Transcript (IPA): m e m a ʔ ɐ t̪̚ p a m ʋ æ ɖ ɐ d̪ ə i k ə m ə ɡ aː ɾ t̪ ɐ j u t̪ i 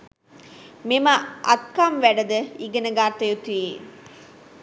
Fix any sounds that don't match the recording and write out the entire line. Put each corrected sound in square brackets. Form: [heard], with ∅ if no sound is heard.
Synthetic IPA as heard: m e m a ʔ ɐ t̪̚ [k] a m ʋ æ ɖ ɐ d̪ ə i [ɡ] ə [n] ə ɡ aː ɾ t̪ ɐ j u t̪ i